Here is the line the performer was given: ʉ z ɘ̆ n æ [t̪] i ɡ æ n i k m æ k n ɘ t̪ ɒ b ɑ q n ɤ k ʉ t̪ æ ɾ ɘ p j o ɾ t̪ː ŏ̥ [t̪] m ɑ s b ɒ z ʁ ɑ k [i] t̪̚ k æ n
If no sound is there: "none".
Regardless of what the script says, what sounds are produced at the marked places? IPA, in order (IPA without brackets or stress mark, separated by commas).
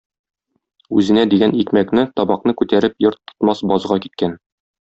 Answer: d̪, t̪, i